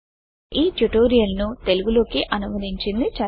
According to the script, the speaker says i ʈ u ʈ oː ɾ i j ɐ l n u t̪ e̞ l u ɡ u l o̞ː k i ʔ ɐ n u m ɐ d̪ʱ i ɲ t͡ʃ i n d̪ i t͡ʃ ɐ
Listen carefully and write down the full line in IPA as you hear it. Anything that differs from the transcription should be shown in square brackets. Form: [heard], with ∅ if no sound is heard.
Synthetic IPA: [iː] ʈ u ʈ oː ɾ i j ɐ l n u t̪ e̞ l u ɡ u l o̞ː k i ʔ ɐ n u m ɐ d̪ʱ i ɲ t͡ʃ i n d̪ i t͡ʃ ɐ